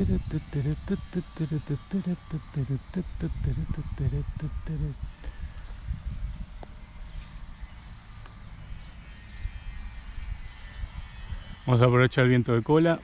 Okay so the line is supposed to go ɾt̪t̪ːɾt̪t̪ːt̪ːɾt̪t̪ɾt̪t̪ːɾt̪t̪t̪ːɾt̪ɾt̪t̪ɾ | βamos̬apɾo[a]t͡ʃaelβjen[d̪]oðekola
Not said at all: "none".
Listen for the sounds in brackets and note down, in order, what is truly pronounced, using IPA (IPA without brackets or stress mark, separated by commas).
e, t̪